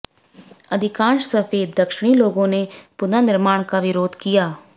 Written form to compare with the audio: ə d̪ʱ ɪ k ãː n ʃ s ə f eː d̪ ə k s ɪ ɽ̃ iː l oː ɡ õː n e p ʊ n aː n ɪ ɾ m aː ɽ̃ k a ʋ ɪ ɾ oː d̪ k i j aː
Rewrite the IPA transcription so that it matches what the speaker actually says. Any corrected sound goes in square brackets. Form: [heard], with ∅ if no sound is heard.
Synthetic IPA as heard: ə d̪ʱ ɪ k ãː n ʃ s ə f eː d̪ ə k [ʃ] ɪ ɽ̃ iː l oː ɡ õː n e p ʊ n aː n ɪ ɾ m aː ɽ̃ k a ʋ ɪ ɾ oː d̪ k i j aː